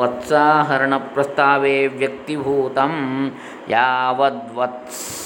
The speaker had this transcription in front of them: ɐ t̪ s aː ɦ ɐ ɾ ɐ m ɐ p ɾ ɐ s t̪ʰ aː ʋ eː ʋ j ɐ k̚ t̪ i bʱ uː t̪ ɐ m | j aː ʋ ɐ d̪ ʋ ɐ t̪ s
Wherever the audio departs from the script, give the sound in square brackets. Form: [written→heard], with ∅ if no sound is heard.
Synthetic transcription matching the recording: ɐ t̪ s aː ɦ ɐ ɾ ɐ [m→ɳ] ɐ p ɾ ɐ s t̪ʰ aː ʋ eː ʋ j ɐ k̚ t̪ i bʱ uː t̪ ɐ m | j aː ʋ ɐ d̪ ʋ ɐ t̪ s